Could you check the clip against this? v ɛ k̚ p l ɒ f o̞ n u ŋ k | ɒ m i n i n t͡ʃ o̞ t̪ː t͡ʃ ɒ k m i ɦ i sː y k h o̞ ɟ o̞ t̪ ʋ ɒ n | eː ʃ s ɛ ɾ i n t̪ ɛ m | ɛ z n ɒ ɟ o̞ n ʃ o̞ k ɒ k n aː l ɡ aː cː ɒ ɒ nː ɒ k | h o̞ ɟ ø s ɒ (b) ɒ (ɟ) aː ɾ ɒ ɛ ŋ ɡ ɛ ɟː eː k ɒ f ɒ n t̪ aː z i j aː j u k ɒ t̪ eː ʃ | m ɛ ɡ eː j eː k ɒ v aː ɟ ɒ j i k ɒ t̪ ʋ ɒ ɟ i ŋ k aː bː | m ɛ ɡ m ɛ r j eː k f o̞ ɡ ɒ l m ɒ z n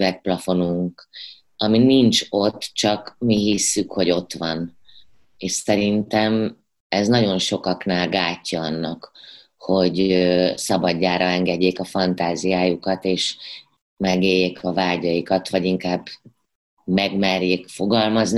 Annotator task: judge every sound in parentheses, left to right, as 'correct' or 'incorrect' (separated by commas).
correct, incorrect